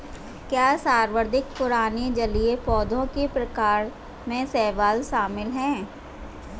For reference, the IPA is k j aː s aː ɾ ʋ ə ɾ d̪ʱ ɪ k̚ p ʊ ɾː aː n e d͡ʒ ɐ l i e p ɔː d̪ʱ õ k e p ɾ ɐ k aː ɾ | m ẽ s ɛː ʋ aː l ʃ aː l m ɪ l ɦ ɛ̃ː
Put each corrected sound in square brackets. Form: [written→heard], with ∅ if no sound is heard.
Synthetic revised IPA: k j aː s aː ɾ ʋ ə ɾ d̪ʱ ɪ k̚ p ʊ [ɾː→ɾ] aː n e d͡ʒ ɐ l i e p ɔː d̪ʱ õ k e p ɾ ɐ k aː ɾ | m ẽ s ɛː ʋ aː l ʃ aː [l→∅] m ɪ l ɦ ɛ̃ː